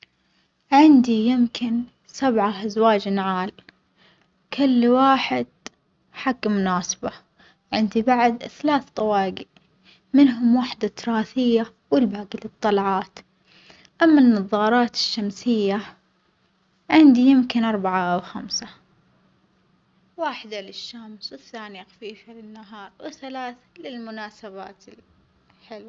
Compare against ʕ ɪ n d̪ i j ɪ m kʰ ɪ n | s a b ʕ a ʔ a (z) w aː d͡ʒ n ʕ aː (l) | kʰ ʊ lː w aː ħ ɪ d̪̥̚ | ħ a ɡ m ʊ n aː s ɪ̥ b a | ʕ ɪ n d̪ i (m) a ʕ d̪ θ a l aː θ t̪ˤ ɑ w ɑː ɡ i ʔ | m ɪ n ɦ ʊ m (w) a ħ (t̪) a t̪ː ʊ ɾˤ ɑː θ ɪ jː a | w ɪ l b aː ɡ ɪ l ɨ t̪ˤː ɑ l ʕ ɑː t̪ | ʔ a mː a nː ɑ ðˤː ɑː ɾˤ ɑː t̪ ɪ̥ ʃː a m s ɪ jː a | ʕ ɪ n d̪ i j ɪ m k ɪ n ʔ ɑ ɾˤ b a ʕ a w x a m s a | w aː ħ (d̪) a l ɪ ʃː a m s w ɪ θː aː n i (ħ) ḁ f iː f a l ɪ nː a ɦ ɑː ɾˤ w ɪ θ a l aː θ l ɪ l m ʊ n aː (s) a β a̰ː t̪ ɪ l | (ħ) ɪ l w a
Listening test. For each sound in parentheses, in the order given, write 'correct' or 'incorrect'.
correct, correct, incorrect: b, correct, incorrect: d̪, correct, incorrect: x, correct, correct

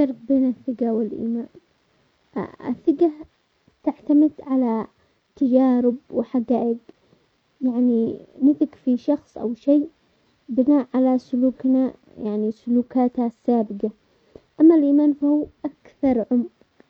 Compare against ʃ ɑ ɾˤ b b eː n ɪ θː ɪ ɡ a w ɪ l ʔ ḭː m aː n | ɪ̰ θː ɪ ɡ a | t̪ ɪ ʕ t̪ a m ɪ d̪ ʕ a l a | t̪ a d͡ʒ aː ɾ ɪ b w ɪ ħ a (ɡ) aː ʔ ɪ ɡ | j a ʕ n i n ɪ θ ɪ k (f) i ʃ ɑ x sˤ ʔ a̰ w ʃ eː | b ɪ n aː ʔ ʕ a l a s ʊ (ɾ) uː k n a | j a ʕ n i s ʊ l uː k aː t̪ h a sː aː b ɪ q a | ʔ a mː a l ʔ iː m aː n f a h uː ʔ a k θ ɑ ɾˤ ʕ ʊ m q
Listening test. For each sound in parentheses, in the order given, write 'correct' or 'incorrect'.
correct, correct, incorrect: l

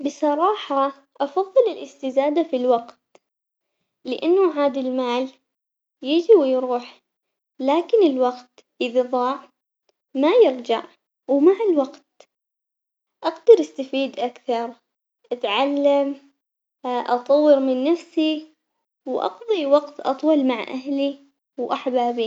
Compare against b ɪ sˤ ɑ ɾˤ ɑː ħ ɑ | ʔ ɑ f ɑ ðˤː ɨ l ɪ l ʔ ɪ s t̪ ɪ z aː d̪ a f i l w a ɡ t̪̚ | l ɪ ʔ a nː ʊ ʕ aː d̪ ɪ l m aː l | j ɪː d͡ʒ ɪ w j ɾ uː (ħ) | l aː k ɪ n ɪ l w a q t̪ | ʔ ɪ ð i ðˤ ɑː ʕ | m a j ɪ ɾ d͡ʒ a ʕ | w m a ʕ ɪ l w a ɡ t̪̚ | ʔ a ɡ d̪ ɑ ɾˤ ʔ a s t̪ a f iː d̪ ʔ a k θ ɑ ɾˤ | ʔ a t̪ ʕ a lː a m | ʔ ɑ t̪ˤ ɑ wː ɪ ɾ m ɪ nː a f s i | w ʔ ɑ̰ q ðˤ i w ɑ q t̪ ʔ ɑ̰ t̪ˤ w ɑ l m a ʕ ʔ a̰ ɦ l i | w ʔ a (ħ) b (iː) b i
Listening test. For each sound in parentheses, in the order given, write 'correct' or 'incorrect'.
correct, correct, incorrect: aː

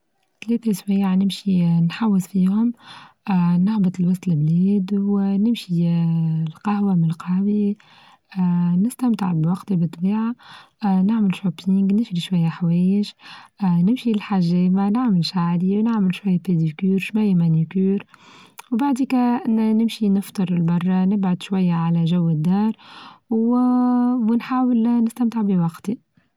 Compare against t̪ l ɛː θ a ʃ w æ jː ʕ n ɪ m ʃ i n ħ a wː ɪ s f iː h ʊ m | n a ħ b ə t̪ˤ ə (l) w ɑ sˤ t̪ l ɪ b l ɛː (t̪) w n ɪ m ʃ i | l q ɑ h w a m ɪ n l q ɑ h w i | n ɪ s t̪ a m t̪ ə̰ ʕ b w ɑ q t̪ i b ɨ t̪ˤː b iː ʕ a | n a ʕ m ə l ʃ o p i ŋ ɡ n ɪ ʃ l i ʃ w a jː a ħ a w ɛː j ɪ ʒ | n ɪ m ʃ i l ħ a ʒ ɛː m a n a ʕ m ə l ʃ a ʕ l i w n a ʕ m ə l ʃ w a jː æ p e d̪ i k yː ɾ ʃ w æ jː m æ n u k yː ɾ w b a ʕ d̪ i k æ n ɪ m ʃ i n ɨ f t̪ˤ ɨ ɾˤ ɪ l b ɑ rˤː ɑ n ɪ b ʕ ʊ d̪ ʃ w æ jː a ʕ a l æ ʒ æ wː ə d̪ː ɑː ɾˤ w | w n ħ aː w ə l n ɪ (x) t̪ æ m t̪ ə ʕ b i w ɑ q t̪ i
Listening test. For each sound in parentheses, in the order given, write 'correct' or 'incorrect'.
correct, incorrect: d̪, incorrect: s

